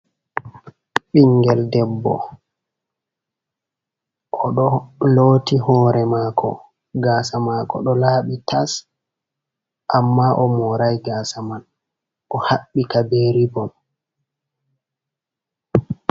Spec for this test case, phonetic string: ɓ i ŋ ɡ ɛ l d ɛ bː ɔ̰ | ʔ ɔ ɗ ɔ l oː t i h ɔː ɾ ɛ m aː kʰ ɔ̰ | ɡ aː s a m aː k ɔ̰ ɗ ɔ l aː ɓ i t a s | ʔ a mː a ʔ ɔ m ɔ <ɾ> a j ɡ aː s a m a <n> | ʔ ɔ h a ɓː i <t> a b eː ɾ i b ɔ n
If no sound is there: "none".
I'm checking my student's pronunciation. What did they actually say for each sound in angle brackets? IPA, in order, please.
ɾ, n, k

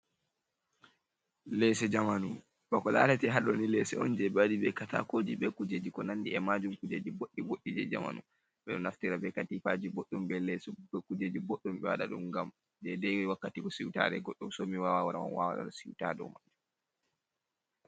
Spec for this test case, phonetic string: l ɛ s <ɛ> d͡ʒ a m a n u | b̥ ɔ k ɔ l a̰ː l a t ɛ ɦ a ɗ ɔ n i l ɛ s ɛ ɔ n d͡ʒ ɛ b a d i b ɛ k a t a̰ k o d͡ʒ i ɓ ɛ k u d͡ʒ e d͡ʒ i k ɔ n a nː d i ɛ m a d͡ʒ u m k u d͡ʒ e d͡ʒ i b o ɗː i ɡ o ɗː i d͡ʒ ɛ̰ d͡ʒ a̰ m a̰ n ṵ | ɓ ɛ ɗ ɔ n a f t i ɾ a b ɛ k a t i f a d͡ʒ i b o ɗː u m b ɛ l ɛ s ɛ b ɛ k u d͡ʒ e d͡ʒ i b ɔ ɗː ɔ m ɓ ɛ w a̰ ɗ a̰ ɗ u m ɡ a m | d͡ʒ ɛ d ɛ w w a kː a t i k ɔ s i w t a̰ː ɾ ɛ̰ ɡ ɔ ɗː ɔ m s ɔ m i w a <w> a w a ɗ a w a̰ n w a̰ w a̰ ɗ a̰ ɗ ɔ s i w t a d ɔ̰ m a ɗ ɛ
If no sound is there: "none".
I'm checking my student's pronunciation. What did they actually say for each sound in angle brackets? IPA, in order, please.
ɛ, w

